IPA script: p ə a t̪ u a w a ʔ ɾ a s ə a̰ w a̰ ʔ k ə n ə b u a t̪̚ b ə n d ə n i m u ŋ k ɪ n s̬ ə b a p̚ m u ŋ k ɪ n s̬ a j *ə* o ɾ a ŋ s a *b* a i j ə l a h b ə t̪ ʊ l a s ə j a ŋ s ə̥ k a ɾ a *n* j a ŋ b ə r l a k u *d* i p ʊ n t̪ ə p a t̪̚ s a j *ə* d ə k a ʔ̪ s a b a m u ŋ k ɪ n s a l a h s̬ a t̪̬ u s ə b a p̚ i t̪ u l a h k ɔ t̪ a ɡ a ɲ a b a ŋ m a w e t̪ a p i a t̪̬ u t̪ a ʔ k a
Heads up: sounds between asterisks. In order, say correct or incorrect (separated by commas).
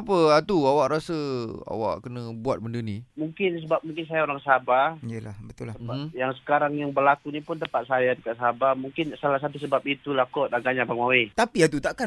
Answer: incorrect, correct, incorrect, incorrect, incorrect